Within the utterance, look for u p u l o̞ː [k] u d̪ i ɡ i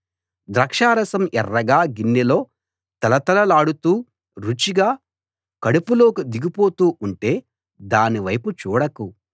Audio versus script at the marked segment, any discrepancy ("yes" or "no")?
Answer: no